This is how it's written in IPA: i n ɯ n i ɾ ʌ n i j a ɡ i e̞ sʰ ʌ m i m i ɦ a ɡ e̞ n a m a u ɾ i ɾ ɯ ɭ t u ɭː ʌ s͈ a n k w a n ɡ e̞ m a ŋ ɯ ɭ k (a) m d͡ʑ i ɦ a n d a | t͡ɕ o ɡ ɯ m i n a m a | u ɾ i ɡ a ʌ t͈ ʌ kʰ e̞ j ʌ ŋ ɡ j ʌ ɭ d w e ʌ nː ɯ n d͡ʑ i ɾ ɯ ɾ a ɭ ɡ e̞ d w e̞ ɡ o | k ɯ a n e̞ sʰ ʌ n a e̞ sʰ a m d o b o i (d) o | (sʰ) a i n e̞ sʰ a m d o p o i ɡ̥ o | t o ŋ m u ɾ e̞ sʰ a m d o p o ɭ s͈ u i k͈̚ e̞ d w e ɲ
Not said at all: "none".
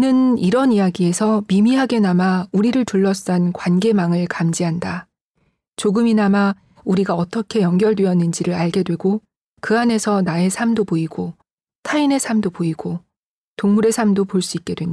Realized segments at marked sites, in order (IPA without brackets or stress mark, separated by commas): a, ɡ, tʰ